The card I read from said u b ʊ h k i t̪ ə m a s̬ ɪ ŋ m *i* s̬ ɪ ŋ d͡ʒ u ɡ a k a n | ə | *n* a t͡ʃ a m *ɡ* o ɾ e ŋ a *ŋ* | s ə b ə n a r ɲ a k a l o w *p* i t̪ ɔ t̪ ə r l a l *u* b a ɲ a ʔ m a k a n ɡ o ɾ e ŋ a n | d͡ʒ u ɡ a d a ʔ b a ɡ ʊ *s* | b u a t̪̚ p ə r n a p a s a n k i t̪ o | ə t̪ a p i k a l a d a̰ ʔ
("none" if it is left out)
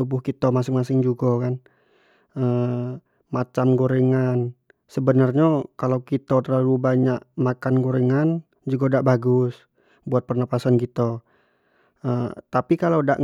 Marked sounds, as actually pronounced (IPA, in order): a, m, ɡ, n, k, u, s

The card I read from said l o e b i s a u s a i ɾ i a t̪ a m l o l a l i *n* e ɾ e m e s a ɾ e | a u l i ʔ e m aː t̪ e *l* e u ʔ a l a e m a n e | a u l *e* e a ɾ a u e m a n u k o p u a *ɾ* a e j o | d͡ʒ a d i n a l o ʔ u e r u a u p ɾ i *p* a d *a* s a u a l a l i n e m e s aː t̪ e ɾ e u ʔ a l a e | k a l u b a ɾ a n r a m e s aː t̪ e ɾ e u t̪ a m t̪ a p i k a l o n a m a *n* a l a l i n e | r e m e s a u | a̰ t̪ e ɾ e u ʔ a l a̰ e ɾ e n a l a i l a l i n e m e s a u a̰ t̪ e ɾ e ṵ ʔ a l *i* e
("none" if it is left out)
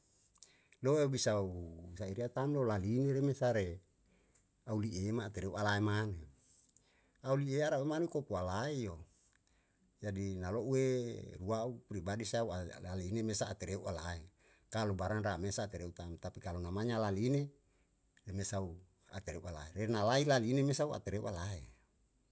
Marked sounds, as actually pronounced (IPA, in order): n, ɾ, i, l, b, i, ɲ, a

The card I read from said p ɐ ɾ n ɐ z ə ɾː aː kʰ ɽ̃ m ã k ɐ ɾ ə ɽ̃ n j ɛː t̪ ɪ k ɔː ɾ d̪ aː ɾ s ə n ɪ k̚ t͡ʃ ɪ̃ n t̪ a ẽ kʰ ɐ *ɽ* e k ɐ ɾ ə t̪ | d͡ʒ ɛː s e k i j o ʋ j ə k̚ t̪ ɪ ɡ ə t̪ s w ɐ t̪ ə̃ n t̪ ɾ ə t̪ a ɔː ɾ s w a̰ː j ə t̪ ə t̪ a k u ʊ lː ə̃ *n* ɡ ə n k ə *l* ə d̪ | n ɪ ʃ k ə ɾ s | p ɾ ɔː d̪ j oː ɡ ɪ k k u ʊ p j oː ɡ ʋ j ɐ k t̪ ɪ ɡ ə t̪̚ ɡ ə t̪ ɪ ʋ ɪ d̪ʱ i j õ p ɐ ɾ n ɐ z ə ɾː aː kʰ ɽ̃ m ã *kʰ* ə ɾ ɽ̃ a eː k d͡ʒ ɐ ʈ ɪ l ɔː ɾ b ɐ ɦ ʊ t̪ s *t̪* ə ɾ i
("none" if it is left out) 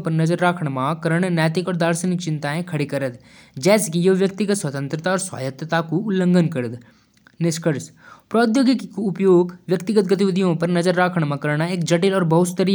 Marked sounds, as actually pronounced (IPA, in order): ɽ, ŋ, ɾ, k, t̪

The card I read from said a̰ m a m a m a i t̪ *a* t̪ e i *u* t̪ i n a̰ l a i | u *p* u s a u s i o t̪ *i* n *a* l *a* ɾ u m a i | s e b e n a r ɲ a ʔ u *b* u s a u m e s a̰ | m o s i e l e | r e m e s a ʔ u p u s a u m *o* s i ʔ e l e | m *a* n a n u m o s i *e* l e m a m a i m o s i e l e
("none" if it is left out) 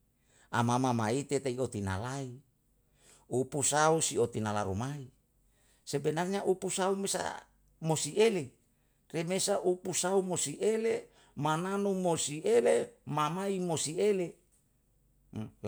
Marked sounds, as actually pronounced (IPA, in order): e, o, p, i, a, a, p, o, a, e

